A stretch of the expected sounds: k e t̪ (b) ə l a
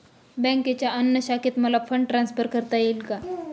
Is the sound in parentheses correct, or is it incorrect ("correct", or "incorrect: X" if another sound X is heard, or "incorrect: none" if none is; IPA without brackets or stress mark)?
incorrect: m